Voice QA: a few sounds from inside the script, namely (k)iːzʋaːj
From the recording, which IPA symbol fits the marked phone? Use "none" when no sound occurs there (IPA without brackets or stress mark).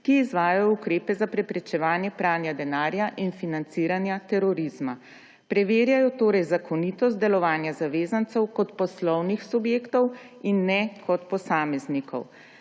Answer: k